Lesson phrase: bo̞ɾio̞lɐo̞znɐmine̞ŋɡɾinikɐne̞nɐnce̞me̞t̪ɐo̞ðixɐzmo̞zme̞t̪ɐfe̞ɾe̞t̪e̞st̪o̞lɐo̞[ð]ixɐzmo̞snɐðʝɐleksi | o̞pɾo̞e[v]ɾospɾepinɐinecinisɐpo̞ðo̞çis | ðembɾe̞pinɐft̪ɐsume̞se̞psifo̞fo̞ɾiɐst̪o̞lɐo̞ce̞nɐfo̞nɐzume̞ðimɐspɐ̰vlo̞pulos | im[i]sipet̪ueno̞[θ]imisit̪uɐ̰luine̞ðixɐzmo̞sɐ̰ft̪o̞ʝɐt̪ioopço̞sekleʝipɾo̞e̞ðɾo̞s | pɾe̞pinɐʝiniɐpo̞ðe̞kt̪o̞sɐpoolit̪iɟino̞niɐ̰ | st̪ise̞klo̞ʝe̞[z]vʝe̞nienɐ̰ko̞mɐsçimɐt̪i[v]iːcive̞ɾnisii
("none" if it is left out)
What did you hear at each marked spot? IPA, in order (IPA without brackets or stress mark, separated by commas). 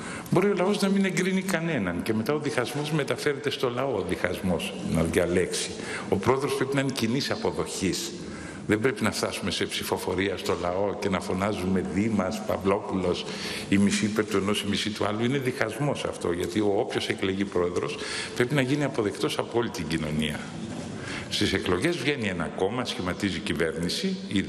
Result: ð, ð, i, s, z, z